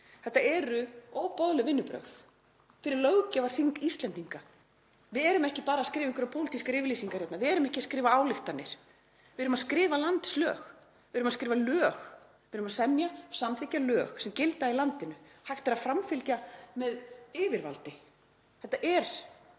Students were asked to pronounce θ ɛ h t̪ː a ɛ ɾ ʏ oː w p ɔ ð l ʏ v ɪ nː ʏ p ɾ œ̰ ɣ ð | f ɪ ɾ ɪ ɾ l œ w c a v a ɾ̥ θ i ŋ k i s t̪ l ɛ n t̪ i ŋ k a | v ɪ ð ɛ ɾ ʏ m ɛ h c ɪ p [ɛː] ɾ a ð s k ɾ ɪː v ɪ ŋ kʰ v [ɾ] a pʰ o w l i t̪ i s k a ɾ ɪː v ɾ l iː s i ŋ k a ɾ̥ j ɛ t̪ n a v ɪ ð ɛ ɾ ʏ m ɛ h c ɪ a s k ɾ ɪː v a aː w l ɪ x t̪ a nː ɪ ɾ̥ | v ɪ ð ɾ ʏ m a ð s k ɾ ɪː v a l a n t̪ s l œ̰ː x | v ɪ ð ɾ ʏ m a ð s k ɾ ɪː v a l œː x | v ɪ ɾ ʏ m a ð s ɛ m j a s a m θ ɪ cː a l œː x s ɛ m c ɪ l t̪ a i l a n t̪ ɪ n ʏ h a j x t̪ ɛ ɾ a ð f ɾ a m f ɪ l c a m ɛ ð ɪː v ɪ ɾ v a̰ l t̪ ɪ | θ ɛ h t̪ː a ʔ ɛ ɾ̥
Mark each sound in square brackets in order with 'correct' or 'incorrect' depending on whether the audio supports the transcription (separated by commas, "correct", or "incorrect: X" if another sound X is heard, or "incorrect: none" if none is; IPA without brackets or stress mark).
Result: incorrect: aː, correct